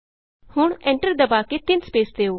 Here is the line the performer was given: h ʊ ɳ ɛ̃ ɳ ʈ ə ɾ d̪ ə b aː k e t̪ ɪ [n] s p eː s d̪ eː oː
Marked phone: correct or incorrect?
correct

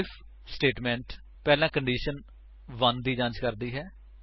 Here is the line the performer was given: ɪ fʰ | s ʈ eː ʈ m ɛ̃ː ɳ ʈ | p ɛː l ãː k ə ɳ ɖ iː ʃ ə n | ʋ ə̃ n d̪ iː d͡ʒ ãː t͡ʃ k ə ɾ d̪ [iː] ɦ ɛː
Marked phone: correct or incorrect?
correct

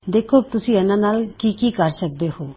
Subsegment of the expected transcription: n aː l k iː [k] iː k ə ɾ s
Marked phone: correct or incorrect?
correct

